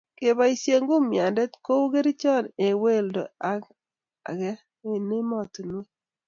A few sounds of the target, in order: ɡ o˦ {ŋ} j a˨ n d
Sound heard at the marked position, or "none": m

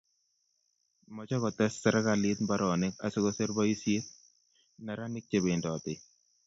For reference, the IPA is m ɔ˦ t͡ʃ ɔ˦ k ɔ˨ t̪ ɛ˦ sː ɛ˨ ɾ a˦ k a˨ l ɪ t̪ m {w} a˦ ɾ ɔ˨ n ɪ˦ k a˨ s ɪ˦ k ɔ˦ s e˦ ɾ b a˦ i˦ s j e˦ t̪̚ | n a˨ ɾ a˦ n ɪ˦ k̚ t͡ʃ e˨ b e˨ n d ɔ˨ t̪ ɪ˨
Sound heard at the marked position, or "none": b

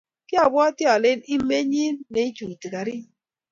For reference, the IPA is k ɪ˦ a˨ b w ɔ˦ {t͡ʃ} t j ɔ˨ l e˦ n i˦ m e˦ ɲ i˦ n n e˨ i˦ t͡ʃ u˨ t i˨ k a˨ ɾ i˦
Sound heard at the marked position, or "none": none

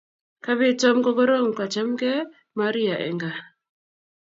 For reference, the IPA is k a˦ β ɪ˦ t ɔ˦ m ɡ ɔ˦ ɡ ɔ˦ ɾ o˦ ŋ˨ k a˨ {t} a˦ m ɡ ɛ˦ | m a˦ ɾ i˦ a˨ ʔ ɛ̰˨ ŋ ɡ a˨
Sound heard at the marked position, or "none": t͡ʃ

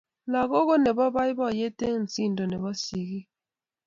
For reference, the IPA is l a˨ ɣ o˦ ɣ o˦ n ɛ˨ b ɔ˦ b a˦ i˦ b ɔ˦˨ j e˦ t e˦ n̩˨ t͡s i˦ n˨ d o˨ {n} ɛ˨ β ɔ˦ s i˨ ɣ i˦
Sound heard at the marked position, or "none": n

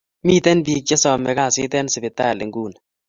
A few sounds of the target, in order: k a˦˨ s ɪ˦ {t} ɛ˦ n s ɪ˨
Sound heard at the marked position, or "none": t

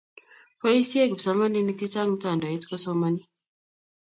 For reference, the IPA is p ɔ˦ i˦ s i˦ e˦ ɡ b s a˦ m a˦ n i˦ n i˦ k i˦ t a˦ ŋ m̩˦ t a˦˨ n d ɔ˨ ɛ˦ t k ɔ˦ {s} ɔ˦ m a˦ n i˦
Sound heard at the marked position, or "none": s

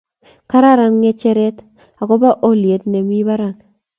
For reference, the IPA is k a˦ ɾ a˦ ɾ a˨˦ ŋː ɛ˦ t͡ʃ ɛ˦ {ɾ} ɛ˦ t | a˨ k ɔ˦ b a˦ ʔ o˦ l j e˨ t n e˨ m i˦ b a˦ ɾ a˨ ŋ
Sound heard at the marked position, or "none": ɾ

